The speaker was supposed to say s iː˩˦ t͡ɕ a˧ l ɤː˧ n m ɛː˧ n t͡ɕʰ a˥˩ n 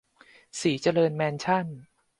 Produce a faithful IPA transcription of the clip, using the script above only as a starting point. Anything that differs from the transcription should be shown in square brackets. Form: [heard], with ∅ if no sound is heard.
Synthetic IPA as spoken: s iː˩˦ t͡ɕ a˧ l ɤː˧ n m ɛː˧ n t͡ɕʰ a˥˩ n